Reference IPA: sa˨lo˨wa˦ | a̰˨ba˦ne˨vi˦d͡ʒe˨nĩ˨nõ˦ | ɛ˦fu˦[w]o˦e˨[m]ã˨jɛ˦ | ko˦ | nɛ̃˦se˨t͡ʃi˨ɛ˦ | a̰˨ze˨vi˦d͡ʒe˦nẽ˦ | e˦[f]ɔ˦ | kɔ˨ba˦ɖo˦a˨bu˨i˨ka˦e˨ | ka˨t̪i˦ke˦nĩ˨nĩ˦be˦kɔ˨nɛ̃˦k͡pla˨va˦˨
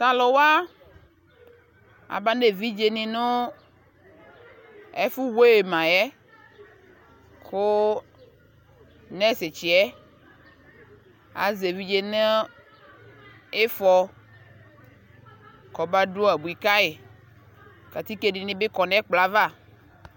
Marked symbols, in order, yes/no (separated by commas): yes, yes, yes